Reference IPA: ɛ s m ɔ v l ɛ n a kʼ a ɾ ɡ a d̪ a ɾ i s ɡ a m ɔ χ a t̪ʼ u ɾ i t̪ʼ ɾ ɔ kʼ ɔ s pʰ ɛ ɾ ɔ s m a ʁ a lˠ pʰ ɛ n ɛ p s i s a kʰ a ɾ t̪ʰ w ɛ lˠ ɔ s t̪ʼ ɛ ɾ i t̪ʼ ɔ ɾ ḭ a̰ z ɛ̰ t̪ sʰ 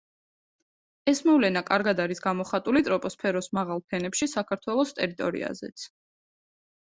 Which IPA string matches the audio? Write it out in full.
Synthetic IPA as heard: ɛ s m ɔ v l ɛ n a kʼ a ɾ ɡ a d̪ a ɾ i s ɡ a m ɔ χ a t̪ʼ u l i t̪ʼ ɾ ɔ pʼ ɔ s pʰ ɛ ɾ ɔ s m a ʁ a lˠ pʰ ɛ n ɛ p ʃ i s a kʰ a ɾ t̪ʰ w ɛ lˠ ɔ s t̪ʼ ɛ ɾ i t̪ʼ ɔ ɾ ḭ a̰ z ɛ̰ t̪ sʰ

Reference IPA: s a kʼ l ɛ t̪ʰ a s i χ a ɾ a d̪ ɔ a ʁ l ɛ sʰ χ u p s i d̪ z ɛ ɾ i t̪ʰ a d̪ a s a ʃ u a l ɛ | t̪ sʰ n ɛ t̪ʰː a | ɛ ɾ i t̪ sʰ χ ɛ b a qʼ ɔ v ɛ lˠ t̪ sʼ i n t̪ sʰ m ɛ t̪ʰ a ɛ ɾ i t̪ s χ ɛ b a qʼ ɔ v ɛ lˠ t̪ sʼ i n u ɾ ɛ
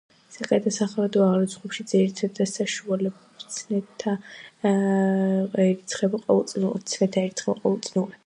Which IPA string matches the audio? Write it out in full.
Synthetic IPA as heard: s a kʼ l ɛ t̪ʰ a s a χ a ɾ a d̪ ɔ a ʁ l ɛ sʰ χ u p ʃ i d̪ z ɛ ɾ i t̪ʰ a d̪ a s a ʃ u a l ɛ | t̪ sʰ n ɛ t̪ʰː a | ɛ ɾ i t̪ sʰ χ ɛ b a qʼ ɔ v ɛ lˠ t̪ sʼ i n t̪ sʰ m ɛ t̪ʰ a ɛ ɾ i t̪ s χ ɛ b a qʼ ɔ v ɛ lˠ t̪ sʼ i n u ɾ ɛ

